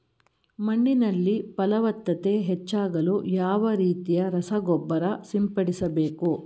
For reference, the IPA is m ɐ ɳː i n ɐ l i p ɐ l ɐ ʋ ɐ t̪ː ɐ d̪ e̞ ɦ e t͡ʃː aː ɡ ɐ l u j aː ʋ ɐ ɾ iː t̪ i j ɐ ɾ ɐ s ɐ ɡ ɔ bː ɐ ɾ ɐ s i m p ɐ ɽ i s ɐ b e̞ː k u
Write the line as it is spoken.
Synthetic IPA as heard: m ɐ ɳː i n ɐ lː i p ɐ l ɐ ʋ ɐ t̪ː ɐ t̪ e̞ ɦ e t͡ʃː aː ɡ ɐ l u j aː ʋ ɐ ɾ iː t̪ i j ɐ ɾ ɐ s ɐ ɡ ɔ bː ɐ ɾ ɐ s i m p ɐ ɽ i s ɐ b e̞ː k u